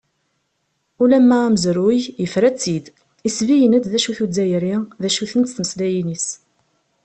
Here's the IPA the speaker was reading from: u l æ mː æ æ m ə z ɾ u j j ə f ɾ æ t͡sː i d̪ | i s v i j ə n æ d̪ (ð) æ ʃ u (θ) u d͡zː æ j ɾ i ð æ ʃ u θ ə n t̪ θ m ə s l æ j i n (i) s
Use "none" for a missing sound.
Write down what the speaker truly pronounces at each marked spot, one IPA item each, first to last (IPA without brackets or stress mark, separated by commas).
ð, θ, i